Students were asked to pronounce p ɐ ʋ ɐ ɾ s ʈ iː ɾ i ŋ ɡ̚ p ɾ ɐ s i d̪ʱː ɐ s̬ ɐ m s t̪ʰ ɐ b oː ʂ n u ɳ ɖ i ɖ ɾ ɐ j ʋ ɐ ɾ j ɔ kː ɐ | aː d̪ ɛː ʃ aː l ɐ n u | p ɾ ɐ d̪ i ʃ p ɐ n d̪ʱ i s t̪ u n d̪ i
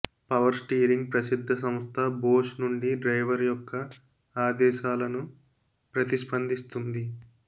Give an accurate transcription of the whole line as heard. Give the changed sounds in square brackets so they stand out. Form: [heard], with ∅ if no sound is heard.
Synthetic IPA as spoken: p ɐ ʋ ɐ ɾ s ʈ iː ɾ i ŋ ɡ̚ p ɾ ɐ s i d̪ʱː ɐ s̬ ɐ m s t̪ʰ ɐ b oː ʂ n u ɳ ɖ i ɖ ɾ ɐ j ʋ ɐ ɾ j ɔ kː ɐ | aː d̪ ɛː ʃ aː l ɐ n u | p ɾ ɐ [t̪] i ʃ p ɐ n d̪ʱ i s t̪ u n d̪ i